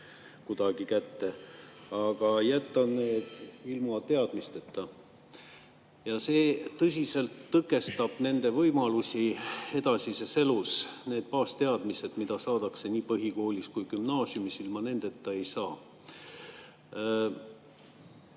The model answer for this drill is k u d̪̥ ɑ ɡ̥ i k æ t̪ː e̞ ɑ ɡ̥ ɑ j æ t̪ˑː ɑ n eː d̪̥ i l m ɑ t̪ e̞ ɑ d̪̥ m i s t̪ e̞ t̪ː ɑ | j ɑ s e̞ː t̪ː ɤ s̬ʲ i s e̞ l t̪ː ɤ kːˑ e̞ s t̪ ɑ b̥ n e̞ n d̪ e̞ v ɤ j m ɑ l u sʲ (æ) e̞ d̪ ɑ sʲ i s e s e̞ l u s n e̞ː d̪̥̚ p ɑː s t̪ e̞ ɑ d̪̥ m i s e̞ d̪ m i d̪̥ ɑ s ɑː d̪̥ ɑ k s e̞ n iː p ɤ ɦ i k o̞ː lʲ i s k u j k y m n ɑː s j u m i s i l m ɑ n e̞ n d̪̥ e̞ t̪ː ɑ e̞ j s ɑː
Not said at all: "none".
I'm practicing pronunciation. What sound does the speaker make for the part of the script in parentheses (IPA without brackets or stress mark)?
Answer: i